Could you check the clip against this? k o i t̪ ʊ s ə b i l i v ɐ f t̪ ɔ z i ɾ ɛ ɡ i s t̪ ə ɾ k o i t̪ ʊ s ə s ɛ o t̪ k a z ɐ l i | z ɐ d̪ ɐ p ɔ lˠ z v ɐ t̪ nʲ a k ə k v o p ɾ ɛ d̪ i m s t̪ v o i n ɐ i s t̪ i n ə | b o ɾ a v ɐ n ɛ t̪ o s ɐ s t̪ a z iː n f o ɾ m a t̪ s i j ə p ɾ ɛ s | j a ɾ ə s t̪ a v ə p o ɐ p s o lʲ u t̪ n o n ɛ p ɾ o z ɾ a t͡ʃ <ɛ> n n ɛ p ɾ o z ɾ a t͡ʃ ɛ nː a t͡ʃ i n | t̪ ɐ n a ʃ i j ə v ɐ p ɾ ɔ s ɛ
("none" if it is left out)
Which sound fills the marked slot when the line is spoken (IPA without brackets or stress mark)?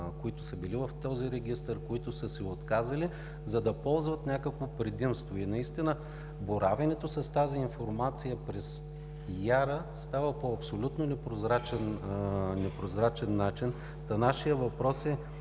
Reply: ɛ